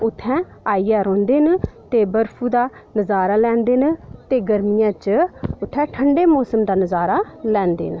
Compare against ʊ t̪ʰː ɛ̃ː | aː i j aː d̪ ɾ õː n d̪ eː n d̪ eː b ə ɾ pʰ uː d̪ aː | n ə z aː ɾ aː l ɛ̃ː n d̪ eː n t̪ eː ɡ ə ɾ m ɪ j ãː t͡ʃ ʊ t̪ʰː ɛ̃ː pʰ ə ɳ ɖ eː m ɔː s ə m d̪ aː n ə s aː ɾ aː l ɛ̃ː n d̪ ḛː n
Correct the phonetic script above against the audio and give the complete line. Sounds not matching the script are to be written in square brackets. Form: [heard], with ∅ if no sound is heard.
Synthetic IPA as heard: ʊ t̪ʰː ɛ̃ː | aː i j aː [∅] ɾ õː n d̪ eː n [t̪] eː b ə ɾ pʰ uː d̪ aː | n ə z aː ɾ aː l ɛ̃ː n d̪ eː n t̪ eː ɡ ə ɾ m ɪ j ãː t͡ʃ ʊ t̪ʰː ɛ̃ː [ʈʰ] ə ɳ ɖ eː m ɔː s ə m d̪ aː n ə [z] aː ɾ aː l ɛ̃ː n d̪ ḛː n

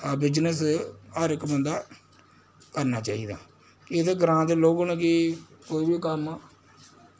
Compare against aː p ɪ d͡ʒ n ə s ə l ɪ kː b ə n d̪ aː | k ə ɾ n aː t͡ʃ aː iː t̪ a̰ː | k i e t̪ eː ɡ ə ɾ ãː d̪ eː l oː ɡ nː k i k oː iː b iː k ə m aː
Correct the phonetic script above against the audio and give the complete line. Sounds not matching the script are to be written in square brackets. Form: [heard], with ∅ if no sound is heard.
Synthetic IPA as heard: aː [b] ɪ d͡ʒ n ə s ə [ɾ] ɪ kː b ə n d̪ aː | k ə ɾ n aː t͡ʃ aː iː [d̪] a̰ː | k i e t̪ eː ɡ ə ɾ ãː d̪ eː l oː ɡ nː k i k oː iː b iː k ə m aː

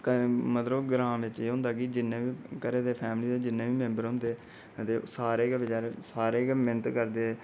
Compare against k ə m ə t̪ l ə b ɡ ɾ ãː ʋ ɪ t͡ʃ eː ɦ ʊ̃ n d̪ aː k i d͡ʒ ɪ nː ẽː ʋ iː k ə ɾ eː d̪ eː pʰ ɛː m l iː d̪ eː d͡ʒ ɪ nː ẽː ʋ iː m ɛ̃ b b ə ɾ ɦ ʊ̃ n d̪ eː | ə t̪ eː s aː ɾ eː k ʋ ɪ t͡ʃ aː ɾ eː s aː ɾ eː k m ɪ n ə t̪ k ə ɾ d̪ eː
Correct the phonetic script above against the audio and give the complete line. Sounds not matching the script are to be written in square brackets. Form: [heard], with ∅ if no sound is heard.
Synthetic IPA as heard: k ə m ə t̪ l ə b ɡ ɾ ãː ʋ ɪ t͡ʃ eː ɦ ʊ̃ n d̪ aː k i d͡ʒ ɪ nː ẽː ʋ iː k ə ɾ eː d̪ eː pʰ ɛː m l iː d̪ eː d͡ʒ ɪ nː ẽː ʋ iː m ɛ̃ [m] b ə ɾ ɦ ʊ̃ n d̪ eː | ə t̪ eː s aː ɾ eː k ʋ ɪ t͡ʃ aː ɾ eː s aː ɾ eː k m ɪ n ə t̪ k ə ɾ d̪ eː

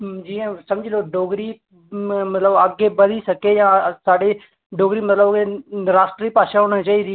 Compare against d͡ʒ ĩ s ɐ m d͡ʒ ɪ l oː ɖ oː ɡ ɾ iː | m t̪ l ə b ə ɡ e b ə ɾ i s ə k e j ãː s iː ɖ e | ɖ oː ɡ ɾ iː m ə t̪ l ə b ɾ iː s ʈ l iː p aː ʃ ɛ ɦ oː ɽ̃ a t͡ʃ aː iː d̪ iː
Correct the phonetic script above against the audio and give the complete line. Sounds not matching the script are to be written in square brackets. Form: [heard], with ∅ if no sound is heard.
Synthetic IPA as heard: d͡ʒ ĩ s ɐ m d͡ʒ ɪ l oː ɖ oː ɡ ɾ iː | m t̪ l ə b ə ɡ e b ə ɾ i s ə k e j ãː s [aː] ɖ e | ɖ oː ɡ ɾ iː m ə t̪ l ə b ɾ [aː] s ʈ [ɾ] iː p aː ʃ [a] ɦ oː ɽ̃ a t͡ʃ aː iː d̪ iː

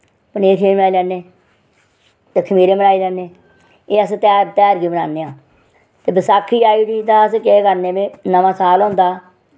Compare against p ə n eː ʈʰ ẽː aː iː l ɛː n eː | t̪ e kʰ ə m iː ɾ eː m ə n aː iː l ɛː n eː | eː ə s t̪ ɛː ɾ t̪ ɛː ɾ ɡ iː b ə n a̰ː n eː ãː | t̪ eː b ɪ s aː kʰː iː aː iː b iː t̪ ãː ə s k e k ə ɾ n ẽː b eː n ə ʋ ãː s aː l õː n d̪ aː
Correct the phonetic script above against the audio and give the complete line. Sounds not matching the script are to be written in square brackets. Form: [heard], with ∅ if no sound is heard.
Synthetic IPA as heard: p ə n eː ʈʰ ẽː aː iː l ɛː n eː | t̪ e kʰ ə m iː ɾ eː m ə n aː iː l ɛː n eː | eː ə s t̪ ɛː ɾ t̪ ɛː ɾ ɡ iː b ə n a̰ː n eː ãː | t̪ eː b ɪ s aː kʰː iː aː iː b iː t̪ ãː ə s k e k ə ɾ n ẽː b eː n ə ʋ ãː s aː l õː n d̪ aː

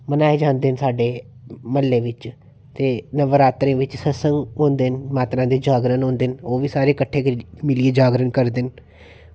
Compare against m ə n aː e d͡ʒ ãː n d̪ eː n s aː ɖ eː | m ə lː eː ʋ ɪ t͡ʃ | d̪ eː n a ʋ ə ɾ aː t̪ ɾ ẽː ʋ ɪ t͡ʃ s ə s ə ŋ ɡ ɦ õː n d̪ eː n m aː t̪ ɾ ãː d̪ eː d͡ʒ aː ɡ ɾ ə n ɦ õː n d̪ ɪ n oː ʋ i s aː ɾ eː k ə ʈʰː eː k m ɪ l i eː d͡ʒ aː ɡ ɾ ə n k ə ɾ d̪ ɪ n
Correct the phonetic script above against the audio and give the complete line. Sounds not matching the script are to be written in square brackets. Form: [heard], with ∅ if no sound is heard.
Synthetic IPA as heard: m ə n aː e d͡ʒ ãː n d̪ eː n s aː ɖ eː | m ə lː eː ʋ ɪ t͡ʃ | [t̪] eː n [ə] ʋ ə ɾ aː t̪ ɾ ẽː ʋ ɪ t͡ʃ s ə s ə ŋ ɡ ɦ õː n d̪ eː n m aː t̪ ɾ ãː d̪ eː d͡ʒ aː ɡ ɾ ə n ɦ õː n d̪ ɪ n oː ʋ [iː] s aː ɾ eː k ə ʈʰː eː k m ɪ l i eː d͡ʒ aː ɡ ɾ ə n k ə ɾ d̪ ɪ n

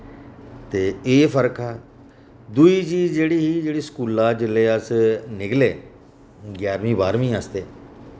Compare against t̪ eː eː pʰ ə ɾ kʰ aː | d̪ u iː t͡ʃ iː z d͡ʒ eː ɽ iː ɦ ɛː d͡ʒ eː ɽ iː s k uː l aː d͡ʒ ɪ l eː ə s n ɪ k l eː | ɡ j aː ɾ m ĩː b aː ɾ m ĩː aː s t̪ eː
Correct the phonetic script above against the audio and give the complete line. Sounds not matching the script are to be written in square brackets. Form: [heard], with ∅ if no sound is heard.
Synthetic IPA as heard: t̪ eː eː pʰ ə ɾ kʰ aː | d̪ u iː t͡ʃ iː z d͡ʒ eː ɽ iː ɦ [iː] d͡ʒ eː ɽ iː s k uː l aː d͡ʒ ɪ l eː ə s n ɪ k l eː | ɡ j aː ɾ m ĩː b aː ɾ m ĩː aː s t̪ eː

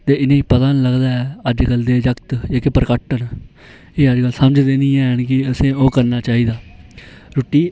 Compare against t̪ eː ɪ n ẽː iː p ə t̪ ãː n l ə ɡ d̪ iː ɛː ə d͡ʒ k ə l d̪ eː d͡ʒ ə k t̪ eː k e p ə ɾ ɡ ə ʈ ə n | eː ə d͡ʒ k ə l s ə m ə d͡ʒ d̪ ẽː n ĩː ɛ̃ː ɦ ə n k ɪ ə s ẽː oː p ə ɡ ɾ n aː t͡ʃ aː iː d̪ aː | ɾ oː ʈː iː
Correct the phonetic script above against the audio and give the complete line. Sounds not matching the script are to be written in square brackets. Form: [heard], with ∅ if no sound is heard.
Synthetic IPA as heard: t̪ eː ɪ n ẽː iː p ə t̪ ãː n l ə ɡ d̪ [aː] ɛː ə d͡ʒ k ə l d̪ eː d͡ʒ ə k t̪ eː k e p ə ɾ [k] ə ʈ ə n | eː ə d͡ʒ k ə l s ə m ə d͡ʒ d̪ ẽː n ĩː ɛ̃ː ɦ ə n k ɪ ə s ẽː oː [k] ə [∅] ɾ n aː t͡ʃ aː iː d̪ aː | ɾ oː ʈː iː

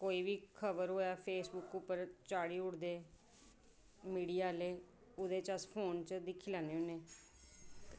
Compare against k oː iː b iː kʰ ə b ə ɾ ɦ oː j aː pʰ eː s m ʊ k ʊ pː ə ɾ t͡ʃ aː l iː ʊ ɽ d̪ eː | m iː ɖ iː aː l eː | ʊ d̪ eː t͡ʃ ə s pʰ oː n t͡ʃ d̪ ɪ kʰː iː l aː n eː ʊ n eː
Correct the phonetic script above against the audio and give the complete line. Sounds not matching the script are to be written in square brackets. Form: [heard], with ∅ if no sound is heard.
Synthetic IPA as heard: k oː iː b iː kʰ ə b ə ɾ ɦ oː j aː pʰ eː s [b] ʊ k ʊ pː ə ɾ t͡ʃ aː [ɽ] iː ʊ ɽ d̪ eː | m iː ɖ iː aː l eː | ʊ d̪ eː t͡ʃ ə s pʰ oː n t͡ʃ d̪ ɪ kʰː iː l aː n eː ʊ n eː

